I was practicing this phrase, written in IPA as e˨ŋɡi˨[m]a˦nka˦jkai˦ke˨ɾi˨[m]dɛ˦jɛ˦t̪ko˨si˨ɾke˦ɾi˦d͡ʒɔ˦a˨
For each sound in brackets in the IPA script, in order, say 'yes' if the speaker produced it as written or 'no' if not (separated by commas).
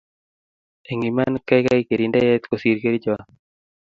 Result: yes, no